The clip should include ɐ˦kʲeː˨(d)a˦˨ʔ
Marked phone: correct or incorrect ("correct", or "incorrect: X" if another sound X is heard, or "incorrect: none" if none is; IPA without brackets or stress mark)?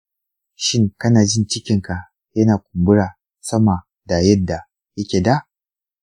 correct